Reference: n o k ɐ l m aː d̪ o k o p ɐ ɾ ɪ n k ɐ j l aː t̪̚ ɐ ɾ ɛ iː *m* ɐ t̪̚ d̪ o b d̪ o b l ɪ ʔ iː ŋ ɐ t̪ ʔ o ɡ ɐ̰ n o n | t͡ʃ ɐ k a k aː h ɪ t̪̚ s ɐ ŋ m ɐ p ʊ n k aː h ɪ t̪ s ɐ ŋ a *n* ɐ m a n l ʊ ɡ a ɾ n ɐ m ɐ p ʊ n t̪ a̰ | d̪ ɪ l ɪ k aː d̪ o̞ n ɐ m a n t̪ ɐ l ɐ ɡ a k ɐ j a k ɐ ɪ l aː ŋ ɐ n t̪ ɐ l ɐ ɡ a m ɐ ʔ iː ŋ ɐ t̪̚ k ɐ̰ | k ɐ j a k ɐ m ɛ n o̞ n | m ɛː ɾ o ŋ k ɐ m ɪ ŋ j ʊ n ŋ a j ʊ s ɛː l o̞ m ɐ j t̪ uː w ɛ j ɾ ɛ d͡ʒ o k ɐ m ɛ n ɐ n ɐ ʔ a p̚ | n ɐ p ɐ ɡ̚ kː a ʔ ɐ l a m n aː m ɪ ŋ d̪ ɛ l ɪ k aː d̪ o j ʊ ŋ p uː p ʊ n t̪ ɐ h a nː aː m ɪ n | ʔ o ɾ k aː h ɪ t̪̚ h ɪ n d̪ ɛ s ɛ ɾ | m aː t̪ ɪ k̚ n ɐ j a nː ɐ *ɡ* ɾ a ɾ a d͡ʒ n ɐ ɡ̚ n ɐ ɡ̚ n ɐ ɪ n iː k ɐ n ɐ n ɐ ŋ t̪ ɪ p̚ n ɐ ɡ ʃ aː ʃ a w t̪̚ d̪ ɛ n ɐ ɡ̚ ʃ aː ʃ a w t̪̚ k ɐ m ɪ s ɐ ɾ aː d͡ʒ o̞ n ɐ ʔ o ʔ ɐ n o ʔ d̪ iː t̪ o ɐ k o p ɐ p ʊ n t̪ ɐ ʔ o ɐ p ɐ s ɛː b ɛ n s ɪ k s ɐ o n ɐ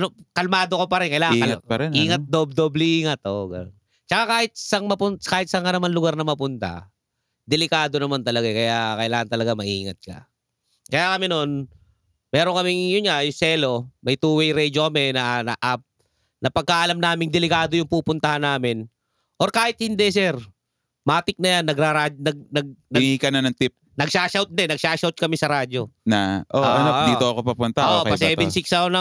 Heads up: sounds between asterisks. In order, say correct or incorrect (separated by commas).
incorrect, correct, correct